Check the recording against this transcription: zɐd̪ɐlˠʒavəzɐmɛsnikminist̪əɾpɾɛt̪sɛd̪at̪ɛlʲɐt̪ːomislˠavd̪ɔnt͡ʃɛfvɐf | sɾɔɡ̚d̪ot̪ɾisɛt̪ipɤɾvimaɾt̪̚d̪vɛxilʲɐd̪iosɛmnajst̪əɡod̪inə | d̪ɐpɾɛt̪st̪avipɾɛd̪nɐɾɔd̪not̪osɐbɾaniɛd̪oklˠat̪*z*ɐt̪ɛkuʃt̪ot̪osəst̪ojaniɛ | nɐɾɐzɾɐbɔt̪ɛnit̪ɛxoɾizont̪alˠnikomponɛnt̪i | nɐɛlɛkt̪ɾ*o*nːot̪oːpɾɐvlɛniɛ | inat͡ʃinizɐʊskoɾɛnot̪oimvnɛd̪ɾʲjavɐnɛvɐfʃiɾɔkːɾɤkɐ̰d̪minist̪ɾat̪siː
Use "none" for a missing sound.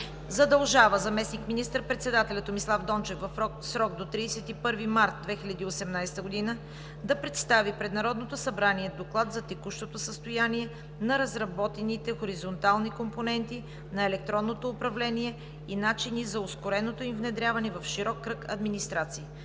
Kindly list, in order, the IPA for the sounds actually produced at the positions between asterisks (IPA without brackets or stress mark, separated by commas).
z, ɔ